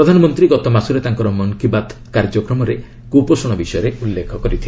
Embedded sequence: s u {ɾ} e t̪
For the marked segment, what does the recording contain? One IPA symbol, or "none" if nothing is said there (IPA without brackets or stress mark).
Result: ɾ